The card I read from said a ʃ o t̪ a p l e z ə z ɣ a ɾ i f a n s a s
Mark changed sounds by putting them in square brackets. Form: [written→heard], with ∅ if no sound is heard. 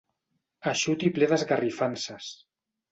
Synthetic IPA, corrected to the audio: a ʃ [o→u] t̪ [a→i] p l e [z→ð] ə z ɣ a [ɾ→r] i f a n s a s

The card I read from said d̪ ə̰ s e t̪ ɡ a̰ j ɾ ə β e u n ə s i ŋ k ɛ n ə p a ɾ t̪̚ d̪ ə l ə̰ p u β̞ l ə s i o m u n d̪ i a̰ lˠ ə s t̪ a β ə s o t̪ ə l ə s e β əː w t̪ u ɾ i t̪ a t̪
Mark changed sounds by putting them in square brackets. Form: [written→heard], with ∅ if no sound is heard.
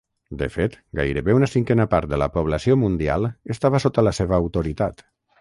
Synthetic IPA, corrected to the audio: d̪ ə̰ [s→f] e t̪ ɡ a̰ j ɾ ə β e u n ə s i ŋ k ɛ n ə p a ɾ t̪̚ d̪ ə l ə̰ p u β̞ l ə s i o m u n d̪ i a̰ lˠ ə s t̪ a β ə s o t̪ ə l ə s e β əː w t̪ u ɾ i t̪ a t̪

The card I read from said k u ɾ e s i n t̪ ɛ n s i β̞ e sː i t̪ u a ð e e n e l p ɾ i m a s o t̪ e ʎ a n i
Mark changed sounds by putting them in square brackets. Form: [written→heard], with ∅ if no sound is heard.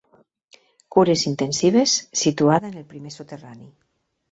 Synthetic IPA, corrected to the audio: k u ɾ e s i n t̪ [ɛ→e] n s i β̞ e sː i t̪ u a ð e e n e l p ɾ i m [a→e] s o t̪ e [ʎ→r] a n i

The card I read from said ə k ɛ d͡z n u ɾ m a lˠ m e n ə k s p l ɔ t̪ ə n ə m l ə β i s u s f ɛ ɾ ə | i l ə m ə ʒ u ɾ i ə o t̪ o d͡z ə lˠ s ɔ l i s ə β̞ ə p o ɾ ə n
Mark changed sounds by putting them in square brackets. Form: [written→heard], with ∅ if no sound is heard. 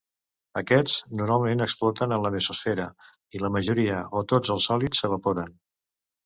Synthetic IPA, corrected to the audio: ə k ɛ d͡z n u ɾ m a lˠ m e n ə k s p l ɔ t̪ ə n ə [m→n] l ə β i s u s f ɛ ɾ ə | i l ə m ə ʒ u ɾ i ə o t̪ o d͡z ə lˠ s ɔ l i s ə β̞ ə p o ɾ ə n

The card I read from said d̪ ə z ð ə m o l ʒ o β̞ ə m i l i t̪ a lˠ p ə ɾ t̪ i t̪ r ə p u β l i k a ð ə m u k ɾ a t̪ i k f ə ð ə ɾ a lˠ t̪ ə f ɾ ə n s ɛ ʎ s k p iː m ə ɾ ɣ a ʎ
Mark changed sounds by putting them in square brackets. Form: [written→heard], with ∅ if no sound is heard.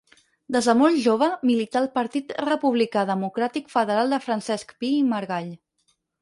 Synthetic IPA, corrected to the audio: d̪ ə z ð ə m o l ʒ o β̞ ə m i l i t̪ a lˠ p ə ɾ t̪ i t̪ r ə p u β l i k a ð ə m u k ɾ a t̪ i k f ə ð ə ɾ a lˠ [t̪→d̪] ə f ɾ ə n s ɛ [ʎ→∅] s k p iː m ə ɾ ɣ a ʎ

